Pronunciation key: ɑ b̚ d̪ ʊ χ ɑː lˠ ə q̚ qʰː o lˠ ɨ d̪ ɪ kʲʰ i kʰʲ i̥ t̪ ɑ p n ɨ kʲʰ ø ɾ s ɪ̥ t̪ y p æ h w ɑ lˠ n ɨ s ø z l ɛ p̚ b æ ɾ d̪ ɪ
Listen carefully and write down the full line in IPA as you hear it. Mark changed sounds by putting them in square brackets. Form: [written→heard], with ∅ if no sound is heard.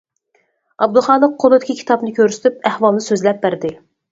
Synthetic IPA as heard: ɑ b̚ d̪ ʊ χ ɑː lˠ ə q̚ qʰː o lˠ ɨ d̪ ɪ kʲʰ i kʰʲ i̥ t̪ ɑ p n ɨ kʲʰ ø ɾ s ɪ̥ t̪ y p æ h w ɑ lˠ n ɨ s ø z l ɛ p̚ b æ ɾ d̪ ɪ